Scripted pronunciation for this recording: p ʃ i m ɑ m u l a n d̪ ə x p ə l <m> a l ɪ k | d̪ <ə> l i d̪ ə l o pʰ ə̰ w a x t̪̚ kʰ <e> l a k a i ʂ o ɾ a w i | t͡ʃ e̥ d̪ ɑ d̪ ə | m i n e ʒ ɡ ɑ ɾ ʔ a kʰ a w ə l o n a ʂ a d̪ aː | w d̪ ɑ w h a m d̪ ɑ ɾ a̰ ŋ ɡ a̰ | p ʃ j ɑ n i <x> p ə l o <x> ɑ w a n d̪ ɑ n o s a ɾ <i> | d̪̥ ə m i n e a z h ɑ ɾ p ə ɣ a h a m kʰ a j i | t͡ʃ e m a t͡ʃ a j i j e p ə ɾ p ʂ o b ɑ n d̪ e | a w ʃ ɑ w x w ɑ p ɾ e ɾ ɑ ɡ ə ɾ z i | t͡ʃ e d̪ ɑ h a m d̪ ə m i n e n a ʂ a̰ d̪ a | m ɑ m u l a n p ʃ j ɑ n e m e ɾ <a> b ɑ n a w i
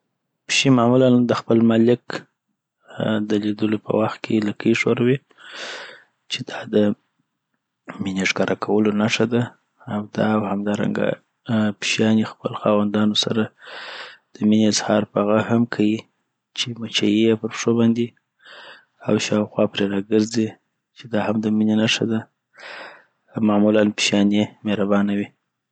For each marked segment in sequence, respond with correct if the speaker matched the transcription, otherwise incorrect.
correct, correct, correct, correct, correct, incorrect: a, correct

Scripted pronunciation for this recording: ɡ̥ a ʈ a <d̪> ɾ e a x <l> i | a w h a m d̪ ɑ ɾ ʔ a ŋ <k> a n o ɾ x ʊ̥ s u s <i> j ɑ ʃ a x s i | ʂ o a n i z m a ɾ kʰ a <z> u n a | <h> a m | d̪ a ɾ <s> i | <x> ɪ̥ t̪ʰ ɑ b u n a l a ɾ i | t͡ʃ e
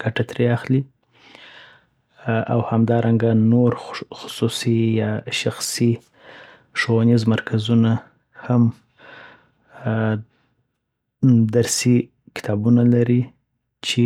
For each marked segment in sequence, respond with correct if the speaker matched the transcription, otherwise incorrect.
incorrect: t̪, correct, incorrect: ɡ, correct, correct, correct, correct, incorrect: k

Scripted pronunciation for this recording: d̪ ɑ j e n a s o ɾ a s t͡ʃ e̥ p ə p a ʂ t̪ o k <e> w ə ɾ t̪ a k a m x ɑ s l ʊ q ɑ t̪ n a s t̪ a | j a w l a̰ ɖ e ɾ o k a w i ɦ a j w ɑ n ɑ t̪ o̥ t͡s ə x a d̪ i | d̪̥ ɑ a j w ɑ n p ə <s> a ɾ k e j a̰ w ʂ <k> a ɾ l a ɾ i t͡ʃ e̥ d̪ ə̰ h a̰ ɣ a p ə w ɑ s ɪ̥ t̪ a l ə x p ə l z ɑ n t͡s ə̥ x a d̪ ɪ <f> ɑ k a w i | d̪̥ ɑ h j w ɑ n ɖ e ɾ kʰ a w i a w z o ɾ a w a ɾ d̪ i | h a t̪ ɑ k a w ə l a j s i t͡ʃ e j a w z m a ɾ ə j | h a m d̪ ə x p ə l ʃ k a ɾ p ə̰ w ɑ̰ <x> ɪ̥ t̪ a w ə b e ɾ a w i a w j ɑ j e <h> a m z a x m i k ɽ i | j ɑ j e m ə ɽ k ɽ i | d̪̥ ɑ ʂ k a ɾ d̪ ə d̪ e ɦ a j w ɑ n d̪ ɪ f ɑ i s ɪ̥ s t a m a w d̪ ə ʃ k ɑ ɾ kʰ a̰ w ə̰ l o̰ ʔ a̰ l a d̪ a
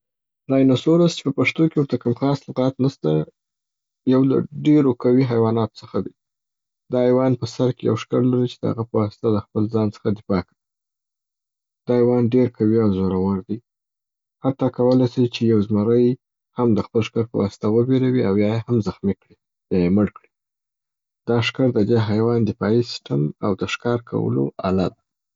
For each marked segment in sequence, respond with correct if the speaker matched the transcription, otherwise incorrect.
correct, correct, correct, correct, incorrect: s, correct

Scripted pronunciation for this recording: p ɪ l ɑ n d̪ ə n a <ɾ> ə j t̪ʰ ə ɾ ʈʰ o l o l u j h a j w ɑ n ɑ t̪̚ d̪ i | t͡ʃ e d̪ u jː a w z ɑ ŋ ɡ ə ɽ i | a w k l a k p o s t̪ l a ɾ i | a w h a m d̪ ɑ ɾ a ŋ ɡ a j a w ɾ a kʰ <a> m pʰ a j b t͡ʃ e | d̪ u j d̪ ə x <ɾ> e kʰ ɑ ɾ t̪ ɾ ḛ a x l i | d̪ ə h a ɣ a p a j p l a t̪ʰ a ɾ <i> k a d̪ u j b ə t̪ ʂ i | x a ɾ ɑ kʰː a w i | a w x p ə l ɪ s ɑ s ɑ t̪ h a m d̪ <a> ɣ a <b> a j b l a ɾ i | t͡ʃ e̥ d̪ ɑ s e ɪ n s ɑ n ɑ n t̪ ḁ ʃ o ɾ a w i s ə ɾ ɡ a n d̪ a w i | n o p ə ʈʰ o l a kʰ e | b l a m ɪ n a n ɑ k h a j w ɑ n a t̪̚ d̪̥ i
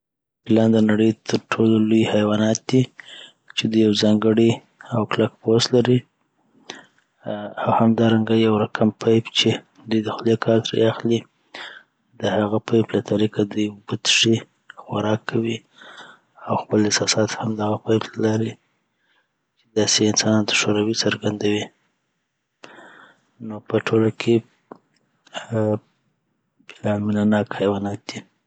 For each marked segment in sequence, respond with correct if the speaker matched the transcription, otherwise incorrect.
incorrect: ɽ, correct, incorrect: l, correct, correct, incorrect: p

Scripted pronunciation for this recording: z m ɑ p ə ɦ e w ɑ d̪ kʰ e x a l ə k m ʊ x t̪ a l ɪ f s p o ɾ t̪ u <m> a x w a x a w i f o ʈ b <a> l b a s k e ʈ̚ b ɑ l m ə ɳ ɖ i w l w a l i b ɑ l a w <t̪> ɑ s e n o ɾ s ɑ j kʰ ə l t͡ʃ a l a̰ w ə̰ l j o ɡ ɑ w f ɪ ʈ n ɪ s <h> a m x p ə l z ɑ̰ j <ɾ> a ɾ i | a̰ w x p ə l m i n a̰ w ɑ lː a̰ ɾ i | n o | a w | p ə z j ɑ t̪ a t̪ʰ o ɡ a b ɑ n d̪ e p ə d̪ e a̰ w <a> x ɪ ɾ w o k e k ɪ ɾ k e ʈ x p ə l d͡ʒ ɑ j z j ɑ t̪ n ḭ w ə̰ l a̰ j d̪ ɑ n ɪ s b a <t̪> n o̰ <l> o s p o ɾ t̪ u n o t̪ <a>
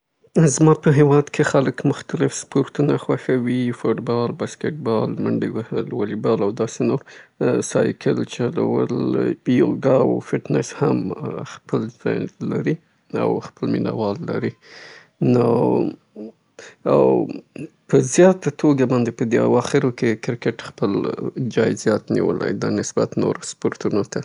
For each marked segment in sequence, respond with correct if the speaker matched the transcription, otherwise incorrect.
incorrect: n, incorrect: ɑ, incorrect: d̪, correct, incorrect: l, incorrect: ɑ, correct, incorrect: ɾ, correct

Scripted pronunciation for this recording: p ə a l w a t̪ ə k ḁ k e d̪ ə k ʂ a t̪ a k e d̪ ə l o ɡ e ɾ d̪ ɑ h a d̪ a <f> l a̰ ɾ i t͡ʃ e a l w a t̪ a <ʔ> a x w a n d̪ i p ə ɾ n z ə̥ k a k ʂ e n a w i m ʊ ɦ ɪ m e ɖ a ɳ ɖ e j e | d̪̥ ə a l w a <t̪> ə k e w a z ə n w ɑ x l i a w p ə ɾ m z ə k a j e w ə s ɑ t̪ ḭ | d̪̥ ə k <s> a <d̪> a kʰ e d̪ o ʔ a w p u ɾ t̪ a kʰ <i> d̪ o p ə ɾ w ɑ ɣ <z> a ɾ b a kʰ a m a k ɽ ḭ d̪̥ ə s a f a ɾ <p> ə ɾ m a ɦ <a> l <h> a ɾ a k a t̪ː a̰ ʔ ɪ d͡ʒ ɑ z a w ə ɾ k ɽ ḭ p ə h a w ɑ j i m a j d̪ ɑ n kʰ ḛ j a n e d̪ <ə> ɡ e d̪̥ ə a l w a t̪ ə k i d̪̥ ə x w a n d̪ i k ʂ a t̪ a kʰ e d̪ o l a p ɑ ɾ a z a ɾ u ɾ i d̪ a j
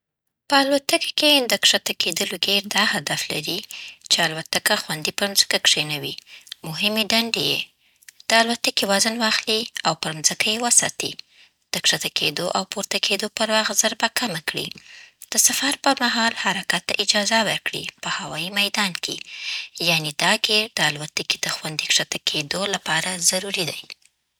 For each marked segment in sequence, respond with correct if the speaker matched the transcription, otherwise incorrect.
correct, incorrect: k, correct, incorrect: ʂ, incorrect: t̪, incorrect: e, correct, correct, incorrect: ɑ, correct, incorrect: ɑ

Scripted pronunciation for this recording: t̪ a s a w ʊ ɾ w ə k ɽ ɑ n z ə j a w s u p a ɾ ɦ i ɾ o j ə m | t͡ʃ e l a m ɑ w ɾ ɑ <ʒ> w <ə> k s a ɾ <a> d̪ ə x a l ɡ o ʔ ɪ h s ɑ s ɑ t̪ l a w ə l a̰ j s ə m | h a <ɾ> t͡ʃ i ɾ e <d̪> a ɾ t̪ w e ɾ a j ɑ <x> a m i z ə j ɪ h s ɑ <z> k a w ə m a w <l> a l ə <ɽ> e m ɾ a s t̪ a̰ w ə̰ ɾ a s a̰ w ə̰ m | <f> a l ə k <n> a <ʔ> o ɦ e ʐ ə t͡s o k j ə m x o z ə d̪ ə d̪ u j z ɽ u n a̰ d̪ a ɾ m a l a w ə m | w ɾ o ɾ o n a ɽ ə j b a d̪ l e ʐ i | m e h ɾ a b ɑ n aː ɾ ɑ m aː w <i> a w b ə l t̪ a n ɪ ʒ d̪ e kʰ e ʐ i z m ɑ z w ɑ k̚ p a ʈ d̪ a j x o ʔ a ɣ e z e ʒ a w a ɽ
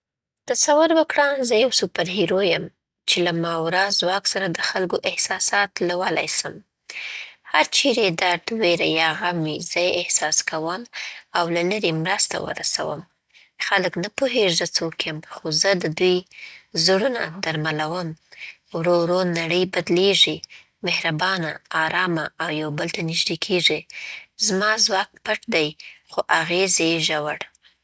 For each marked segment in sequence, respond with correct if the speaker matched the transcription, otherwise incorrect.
incorrect: z, incorrect: ɑ, correct, correct, correct, incorrect: ɣ, incorrect: s, correct, incorrect: ɾ, incorrect: x, correct, incorrect: p, incorrect: j

